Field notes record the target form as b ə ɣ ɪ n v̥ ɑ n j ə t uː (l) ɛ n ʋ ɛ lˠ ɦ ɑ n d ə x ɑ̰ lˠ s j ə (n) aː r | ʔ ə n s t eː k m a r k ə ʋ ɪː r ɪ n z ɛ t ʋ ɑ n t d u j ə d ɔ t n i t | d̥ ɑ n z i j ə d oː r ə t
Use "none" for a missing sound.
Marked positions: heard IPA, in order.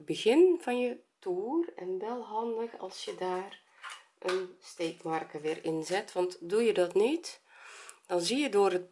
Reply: r, d

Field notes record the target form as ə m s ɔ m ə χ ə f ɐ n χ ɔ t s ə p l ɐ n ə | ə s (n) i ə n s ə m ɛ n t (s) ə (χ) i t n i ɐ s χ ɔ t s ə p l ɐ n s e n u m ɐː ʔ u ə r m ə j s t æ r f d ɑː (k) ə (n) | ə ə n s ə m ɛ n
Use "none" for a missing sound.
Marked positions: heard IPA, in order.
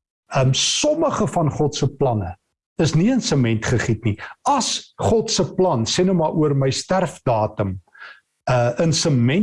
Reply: n, χ, χ, t, m

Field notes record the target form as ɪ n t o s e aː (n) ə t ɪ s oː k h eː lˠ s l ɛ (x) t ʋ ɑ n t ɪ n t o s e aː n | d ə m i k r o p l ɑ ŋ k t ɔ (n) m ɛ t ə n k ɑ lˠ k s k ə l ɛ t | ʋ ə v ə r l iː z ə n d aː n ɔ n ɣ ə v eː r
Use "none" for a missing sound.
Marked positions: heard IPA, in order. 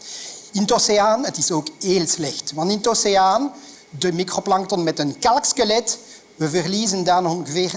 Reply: n, x, n

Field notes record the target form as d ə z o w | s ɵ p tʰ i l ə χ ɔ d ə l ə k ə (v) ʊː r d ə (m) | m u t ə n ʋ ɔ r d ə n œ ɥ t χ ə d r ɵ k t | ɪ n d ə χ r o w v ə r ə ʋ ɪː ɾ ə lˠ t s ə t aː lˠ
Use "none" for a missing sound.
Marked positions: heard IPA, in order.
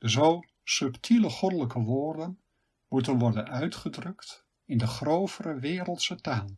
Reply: ʋ, n

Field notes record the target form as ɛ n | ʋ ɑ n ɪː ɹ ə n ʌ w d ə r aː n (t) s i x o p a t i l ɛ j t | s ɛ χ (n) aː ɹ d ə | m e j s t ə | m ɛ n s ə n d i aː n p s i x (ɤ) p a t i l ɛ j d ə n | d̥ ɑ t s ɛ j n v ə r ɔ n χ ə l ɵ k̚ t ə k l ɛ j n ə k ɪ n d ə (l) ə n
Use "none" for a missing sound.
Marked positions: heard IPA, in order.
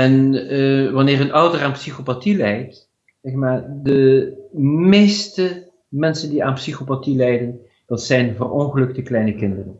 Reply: p, m, o, r

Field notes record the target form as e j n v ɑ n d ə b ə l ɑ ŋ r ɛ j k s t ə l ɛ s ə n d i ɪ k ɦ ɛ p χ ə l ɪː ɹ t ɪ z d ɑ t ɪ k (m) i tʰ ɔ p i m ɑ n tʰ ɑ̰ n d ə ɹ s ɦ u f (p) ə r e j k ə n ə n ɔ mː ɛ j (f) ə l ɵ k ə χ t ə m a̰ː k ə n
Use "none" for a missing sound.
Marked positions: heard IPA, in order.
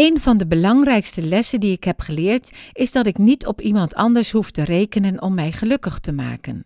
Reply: n, t, χ

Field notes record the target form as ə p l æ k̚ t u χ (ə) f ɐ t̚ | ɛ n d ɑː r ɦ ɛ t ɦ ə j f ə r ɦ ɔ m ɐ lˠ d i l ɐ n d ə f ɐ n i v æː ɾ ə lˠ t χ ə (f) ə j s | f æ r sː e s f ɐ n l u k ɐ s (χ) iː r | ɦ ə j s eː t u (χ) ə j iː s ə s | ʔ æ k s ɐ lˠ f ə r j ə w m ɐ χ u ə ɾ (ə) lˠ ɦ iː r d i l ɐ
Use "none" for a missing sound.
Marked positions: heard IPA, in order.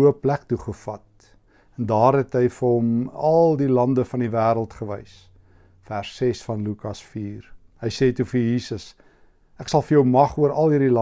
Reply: ə, v, f, f, ɐ

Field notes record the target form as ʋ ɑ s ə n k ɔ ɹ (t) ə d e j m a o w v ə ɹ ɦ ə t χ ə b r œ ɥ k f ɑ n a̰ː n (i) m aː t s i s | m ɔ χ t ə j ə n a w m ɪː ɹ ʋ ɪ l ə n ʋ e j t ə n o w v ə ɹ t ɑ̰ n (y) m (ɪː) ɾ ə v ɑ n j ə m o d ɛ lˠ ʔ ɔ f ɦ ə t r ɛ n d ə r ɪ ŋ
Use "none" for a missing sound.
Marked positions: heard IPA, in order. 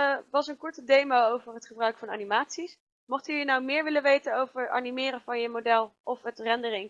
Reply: t, i, i, ɪː

